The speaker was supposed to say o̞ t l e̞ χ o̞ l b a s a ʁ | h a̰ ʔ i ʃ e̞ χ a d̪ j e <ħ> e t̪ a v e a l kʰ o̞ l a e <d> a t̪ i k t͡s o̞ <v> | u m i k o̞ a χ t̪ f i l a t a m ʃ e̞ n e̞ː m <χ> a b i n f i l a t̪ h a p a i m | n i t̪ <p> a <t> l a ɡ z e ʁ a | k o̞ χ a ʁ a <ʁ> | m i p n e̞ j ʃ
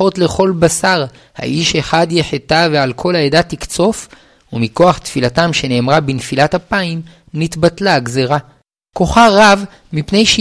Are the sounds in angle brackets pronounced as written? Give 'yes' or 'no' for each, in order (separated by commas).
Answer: yes, yes, no, no, no, yes, no